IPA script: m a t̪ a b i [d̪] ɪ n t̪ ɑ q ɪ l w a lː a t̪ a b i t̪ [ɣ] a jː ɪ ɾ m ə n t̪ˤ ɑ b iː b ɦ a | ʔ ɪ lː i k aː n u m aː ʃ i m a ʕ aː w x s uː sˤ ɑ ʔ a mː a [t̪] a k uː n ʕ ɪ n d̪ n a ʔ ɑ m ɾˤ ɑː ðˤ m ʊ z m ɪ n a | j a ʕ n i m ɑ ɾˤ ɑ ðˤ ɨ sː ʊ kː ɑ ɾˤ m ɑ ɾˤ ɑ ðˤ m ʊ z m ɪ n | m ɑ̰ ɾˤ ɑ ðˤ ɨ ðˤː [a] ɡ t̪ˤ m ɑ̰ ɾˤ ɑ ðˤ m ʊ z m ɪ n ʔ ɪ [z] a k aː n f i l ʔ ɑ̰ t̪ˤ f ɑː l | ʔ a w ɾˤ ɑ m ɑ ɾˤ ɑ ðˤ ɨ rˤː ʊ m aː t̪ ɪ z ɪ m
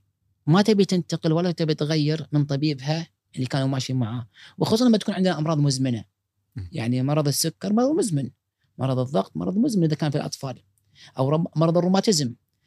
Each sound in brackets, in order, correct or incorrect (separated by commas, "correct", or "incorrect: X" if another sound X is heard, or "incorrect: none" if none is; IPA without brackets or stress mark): incorrect: t̪, correct, correct, incorrect: ɑ, incorrect: ð